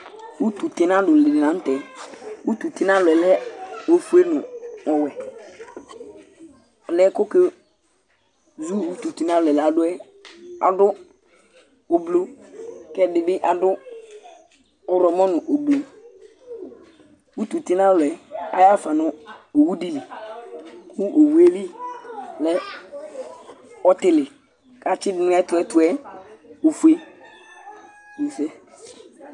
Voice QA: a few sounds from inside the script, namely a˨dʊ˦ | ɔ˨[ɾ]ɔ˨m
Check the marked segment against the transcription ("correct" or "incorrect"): correct